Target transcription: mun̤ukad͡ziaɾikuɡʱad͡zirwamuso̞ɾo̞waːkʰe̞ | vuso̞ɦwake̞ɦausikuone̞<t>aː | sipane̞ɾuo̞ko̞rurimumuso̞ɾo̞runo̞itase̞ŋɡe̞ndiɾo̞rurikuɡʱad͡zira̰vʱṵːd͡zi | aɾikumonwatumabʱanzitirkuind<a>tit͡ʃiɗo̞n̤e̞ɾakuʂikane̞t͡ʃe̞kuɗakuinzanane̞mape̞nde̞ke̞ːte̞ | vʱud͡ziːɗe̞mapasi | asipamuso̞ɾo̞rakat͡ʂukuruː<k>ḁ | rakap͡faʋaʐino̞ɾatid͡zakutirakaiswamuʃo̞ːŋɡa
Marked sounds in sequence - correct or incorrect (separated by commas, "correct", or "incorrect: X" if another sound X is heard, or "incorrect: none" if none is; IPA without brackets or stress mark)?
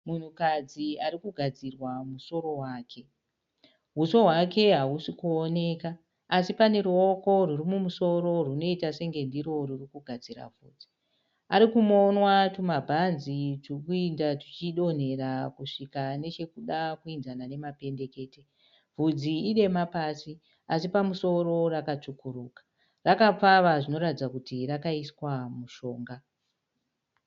incorrect: k, correct, correct